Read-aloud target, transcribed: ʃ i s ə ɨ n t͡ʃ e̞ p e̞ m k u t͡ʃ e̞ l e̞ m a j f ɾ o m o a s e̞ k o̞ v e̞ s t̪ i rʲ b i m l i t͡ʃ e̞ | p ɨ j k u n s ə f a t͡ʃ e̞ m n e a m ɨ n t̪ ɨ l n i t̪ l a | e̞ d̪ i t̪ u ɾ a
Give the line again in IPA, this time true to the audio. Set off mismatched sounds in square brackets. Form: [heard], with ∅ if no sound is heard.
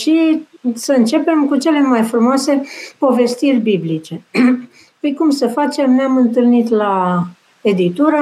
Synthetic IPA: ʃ i s ə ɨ n t͡ʃ e̞ p e̞ m k u t͡ʃ e̞ l e̞ m a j f ɾ [u] m o a s e̞ [p] o̞ v e̞ s t̪ i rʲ b i [b] l i t͡ʃ e̞ | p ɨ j k u [m] s ə f a t͡ʃ e̞ m n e a m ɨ n t̪ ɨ l n i t̪ l a | e̞ d̪ i t̪ u ɾ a